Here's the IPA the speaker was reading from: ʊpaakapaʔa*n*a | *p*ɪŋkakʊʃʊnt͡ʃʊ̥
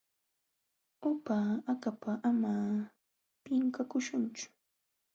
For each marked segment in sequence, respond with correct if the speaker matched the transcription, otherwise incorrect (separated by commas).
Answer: incorrect, correct